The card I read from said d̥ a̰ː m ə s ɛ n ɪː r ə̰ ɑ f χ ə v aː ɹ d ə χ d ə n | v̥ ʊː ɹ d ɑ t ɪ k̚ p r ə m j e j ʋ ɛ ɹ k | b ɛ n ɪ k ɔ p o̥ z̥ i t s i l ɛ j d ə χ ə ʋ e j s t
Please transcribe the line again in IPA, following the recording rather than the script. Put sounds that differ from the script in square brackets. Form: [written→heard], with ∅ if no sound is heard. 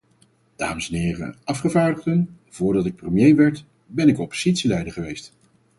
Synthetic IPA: d̥ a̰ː m ə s ɛ n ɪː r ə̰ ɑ f χ ə v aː ɹ d ə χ d ə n | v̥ ʊː ɹ d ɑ t ɪ k̚ p r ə m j e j ʋ ɛ ɹ [k→t] | b ɛ n ɪ k ɔ p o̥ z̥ i t s i l ɛ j d ə χ ə ʋ e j s t